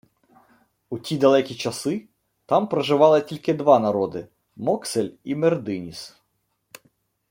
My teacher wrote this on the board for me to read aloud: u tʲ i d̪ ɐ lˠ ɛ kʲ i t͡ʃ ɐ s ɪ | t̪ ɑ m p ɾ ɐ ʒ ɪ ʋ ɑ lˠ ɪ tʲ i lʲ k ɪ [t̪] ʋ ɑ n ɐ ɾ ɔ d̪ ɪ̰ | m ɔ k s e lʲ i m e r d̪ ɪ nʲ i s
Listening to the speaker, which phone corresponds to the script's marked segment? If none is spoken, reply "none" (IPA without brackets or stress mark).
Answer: d̪